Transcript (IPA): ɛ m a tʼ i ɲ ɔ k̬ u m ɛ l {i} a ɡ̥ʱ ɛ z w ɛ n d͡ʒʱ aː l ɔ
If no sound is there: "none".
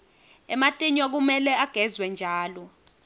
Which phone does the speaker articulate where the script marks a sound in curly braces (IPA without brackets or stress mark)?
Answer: ɛ